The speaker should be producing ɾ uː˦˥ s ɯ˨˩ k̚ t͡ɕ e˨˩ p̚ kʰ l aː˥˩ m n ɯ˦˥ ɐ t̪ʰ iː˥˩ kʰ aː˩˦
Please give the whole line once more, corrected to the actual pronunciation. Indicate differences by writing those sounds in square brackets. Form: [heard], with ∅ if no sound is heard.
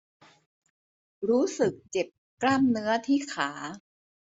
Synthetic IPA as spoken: ɾ uː˦˥ s ɯ˨˩ k̚ t͡ɕ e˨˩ p̚ [k] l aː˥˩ m n ɯ˦˥ ɐ t̪ʰ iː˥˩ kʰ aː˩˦